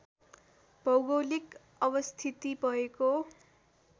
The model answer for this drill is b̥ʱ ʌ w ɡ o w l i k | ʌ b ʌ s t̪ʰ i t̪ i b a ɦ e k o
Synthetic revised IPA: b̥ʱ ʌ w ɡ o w l i k | ʌ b ʌ s t̪ʰ i t̪ i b ʌ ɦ e k o

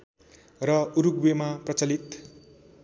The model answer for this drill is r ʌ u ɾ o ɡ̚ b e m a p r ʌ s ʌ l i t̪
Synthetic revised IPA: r ʌ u ɾ u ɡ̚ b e m a p r ʌ t͡s ʌ l i t̪

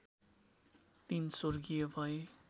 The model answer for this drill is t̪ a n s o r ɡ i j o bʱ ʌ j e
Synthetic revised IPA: t̪ i n s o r ɡ i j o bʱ ʌ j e

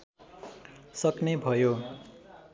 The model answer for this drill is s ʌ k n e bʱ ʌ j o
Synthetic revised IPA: s ʌ k n e bʱ ʌ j o

